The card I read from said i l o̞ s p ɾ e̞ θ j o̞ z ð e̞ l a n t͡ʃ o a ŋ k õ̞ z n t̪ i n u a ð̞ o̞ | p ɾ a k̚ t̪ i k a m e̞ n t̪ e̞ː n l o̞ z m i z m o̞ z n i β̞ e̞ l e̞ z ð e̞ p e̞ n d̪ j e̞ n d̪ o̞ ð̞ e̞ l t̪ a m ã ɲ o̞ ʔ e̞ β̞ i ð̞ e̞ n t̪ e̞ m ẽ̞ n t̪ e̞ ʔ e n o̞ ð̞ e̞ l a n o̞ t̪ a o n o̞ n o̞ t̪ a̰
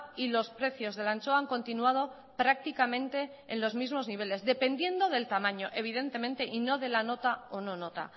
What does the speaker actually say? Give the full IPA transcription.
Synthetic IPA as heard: i l o̞ s p ɾ e̞ θ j o̞ z ð e̞ l a n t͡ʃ o a ŋ k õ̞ n t̪ i n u a ð̞ o̞ | p ɾ a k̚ t̪ i k a m ẽ̞ n t̪ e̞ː n l o̞ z m i z m o̞ z n i β̞ e̞ l e̞ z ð e̞ p e̞ n d̪ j e̞ n d̪ o̞ ð̞ e̞ l t̪ a m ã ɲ o̞ ʔ e̞ β̞ i ð̞ e̞ n t̪ e̞ m ẽ̞ n t̪ e̞ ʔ i n o̞ ð̞ e̞ l a n o̞ t̪ a o n o̞ n o̞ t̪ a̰